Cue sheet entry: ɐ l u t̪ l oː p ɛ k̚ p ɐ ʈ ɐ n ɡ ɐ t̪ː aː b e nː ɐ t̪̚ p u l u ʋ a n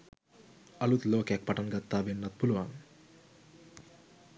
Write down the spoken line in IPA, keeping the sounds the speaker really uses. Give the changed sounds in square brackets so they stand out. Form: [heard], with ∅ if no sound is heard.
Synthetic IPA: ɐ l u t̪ l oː [k] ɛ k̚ p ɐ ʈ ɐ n ɡ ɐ t̪ː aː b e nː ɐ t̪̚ p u l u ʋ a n